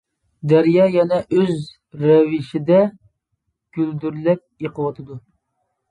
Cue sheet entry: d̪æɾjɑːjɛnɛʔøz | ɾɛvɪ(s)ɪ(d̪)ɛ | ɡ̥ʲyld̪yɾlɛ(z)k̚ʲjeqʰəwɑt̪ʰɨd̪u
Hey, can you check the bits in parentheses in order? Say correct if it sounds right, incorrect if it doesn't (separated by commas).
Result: incorrect, correct, incorrect